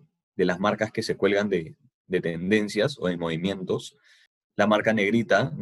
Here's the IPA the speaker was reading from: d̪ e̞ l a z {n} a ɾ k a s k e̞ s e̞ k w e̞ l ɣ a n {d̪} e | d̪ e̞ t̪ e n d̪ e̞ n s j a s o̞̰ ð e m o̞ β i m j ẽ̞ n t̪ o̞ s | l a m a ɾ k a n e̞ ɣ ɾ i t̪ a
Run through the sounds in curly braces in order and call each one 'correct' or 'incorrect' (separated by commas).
incorrect, correct